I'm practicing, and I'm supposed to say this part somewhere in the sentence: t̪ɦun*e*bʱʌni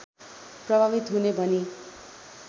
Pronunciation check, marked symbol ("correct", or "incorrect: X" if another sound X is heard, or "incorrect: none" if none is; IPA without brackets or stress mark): correct